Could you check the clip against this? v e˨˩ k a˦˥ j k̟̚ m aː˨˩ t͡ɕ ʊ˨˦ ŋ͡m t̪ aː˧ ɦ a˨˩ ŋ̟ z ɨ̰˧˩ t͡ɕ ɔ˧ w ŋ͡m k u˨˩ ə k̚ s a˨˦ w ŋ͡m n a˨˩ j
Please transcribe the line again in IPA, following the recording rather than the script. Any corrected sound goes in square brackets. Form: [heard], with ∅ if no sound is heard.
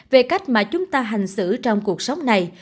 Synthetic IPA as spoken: v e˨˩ k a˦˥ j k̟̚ m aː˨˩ t͡ɕ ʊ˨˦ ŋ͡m t̪ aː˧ ɦ a˨˩ ŋ̟ [s] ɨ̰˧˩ t͡ɕ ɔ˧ w ŋ͡m k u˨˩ ə k̚ s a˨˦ w ŋ͡m n a˨˩ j